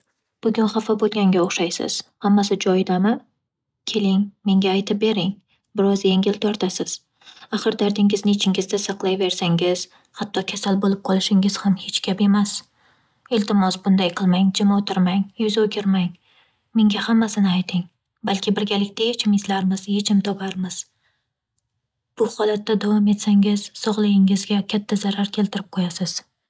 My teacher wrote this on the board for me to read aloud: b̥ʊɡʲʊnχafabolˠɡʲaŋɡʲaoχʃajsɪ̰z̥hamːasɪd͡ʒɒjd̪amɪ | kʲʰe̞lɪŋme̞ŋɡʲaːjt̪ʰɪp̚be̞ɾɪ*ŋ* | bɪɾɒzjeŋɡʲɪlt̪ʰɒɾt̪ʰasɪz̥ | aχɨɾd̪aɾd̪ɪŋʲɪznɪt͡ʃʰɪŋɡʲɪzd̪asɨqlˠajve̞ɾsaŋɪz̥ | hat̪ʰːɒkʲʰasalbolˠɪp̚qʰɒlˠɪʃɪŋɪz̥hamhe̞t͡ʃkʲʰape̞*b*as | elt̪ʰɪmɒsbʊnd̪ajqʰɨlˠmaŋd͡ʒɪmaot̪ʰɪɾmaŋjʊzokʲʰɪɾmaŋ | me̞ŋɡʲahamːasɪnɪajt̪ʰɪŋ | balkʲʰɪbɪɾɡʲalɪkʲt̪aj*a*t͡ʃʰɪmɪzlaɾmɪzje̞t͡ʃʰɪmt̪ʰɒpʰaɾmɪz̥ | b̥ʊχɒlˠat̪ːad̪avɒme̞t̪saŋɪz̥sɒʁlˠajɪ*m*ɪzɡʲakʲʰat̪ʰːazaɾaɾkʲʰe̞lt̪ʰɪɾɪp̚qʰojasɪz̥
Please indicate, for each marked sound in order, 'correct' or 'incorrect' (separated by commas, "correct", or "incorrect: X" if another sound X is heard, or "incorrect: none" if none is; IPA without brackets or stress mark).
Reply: correct, incorrect: m, incorrect: e, incorrect: ŋ